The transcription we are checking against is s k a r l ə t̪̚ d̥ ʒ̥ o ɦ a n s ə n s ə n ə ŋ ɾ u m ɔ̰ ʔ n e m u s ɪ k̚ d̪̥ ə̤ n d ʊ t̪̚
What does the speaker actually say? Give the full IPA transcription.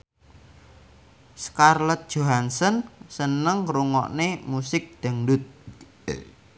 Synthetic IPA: s k a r l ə t̪̚ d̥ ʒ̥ o ɦ a n s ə n s ə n ə ŋ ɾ u ŋ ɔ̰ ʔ n e m u s ɪ k̚ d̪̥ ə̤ ŋ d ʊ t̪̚